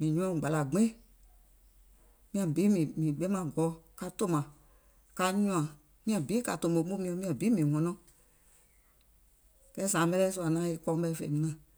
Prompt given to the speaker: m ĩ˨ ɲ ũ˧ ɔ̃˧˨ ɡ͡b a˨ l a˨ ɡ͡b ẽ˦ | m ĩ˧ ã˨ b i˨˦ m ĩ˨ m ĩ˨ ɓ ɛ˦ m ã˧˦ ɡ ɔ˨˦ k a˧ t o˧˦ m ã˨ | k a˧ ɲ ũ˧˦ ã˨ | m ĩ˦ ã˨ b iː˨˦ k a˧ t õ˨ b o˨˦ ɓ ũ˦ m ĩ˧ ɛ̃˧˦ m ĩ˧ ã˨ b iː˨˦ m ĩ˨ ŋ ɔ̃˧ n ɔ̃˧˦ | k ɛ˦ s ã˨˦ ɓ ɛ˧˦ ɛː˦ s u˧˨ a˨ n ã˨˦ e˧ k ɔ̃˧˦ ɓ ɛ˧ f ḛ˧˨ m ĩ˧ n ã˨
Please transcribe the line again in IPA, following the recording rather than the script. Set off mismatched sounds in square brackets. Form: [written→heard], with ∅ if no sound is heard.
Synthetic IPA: m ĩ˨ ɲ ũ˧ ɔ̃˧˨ ɡ͡b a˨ l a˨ ɡ͡b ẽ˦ | m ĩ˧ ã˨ b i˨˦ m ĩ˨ m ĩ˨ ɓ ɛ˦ m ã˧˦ ɡ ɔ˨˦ k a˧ t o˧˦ m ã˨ | k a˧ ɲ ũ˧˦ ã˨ | m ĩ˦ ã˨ b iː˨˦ k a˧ t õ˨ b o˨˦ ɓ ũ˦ m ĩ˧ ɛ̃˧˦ m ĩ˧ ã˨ b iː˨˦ m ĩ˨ ŋ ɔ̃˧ n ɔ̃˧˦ | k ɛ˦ s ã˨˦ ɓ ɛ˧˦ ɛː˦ s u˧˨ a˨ n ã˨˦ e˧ k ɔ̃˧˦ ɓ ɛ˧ f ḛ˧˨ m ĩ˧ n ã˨

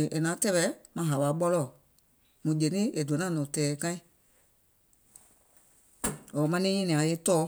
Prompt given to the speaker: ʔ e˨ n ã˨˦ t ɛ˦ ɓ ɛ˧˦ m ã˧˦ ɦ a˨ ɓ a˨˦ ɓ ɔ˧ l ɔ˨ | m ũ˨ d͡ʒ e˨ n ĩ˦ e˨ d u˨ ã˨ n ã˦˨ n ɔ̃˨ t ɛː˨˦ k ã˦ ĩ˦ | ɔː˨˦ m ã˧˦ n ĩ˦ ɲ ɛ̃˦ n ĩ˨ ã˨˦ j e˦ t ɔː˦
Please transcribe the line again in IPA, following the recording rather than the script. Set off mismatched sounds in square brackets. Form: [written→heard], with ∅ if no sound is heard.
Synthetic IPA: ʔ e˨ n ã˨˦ t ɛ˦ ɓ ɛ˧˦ m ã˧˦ ɦ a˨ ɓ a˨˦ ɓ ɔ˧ l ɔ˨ | m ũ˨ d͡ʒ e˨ n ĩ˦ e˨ d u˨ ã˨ n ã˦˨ n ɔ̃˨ t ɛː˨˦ k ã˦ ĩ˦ | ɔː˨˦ m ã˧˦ n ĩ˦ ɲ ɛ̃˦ n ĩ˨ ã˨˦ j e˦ t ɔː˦

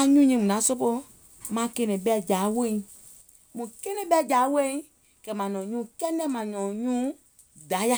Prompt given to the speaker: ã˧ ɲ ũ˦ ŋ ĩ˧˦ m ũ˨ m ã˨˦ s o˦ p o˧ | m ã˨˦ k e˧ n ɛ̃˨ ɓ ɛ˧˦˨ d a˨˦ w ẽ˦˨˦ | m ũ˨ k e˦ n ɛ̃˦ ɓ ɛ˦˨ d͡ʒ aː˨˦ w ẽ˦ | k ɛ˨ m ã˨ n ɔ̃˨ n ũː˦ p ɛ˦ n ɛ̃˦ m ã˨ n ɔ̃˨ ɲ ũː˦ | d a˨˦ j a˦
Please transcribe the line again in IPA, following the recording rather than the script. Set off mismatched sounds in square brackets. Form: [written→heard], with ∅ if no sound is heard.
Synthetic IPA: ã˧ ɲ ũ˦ [ŋ→ɲ] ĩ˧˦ m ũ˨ [m→n] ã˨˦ s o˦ p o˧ | m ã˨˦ k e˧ n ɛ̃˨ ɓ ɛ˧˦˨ [d→d͡ʒ] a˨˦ w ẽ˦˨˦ | m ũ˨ k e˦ n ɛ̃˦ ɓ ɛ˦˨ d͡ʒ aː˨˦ w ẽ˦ | k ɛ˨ m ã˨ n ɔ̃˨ [n→ɲ] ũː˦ [p→k] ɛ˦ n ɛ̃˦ m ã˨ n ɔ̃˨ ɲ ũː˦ | d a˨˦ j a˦

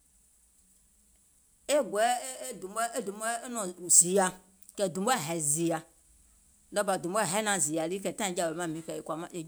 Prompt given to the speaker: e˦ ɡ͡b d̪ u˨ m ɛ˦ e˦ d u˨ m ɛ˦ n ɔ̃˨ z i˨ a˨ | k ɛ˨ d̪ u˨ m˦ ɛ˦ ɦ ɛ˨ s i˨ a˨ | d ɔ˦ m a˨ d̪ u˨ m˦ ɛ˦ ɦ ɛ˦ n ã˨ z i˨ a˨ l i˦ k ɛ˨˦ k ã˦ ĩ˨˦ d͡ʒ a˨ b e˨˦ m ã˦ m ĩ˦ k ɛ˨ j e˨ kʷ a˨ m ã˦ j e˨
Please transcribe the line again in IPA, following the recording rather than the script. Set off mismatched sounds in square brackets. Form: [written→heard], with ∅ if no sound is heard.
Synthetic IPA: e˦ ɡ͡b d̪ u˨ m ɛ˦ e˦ d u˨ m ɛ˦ n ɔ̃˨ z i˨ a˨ | k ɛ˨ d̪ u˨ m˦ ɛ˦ ɦ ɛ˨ [s→z] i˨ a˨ | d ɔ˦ [m→b] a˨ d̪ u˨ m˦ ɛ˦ ɦ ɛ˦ n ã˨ z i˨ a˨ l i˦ k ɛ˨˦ [k→t] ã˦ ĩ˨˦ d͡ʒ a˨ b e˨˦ m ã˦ m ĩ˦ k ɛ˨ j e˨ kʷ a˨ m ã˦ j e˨

